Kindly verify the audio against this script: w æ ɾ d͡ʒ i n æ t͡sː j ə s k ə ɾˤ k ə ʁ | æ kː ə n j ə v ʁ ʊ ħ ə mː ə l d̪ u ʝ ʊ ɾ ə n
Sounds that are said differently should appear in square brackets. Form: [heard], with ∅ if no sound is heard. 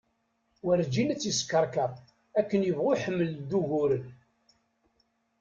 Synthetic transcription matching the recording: w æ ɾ d͡ʒ i n æ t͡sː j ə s k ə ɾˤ k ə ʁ | æ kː ə n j ə v ʁ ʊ ħ ə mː ə l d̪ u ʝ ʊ ɾ ə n